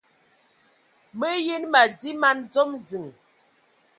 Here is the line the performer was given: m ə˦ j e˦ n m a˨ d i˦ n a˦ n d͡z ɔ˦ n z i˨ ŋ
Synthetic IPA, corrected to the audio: m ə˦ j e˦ n m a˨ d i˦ m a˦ n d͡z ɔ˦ m z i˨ ŋ